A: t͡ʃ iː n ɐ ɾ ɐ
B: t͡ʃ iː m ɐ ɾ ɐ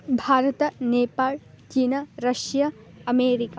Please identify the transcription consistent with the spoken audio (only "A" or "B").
A